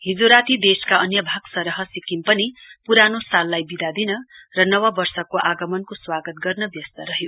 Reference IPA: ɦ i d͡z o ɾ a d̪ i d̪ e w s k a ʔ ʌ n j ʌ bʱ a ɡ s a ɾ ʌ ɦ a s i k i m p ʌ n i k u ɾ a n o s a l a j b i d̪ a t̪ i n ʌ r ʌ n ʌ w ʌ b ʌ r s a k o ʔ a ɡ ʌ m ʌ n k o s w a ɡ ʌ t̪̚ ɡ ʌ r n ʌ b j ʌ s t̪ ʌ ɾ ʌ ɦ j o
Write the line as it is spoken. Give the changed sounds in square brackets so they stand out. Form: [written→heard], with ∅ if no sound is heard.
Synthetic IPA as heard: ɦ i d͡z o ɾ a [d̪→t̪] i d̪ e [w→∅] s k a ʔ ʌ n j ʌ bʱ a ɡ s [a→ʌ] ɾ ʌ ɦ [a→ʌ] s i k i m p ʌ n i [k→p] u ɾ a n o s a [l→lː] a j b i d̪ a [t̪→d̪] i n ʌ r ʌ n ʌ w ʌ b ʌ r s [a→ʌ] k o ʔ a ɡ ʌ m ʌ n k o s w a ɡ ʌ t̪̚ ɡ ʌ r n ʌ b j ʌ s t̪ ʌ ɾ ʌ ɦ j o